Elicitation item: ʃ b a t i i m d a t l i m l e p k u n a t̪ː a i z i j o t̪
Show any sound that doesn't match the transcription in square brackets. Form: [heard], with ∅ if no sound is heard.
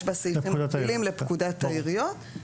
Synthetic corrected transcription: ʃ b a [s] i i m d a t l i m l e p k u [d] a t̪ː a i [ʁ] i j o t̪